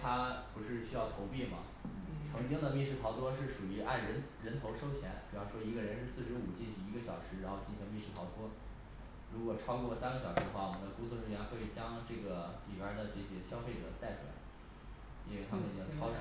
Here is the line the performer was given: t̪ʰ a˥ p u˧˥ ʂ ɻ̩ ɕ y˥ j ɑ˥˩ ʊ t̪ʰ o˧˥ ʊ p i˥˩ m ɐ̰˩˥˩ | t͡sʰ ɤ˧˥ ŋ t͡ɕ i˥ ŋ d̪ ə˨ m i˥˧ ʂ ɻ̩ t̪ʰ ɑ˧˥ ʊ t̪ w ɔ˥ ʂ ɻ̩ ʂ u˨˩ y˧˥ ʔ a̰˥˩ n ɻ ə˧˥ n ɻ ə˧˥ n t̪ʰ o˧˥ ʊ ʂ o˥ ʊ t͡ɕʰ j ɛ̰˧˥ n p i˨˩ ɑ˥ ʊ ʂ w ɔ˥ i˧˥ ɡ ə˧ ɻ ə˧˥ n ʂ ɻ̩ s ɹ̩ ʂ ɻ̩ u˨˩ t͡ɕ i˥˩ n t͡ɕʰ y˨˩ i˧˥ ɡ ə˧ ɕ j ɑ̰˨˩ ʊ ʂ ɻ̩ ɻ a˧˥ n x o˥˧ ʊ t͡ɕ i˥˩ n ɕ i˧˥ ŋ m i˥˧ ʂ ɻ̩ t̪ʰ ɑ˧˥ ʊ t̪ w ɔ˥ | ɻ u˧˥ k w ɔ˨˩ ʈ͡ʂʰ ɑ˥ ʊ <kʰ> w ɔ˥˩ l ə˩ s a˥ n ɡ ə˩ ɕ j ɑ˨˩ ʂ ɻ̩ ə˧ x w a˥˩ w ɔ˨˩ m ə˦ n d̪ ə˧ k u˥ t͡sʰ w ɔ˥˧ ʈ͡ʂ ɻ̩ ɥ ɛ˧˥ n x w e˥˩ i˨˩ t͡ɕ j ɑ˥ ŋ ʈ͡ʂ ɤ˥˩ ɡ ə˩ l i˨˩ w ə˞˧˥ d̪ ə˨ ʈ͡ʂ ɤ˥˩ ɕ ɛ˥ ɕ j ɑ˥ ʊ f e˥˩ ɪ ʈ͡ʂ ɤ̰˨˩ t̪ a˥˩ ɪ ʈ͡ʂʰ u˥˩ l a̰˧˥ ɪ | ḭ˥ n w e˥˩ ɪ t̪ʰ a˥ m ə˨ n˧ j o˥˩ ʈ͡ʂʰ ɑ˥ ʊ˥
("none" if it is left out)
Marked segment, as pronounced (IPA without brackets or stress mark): k